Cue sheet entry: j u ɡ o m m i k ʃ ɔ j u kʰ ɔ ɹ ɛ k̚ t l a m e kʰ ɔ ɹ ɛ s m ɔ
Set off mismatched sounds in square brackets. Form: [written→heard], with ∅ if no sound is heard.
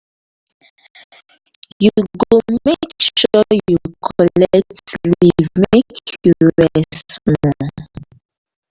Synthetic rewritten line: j u ɡ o m m [i→e] k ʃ ɔ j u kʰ ɔ [ɹ→l] ɛ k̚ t l [a→i] m e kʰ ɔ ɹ ɛ s m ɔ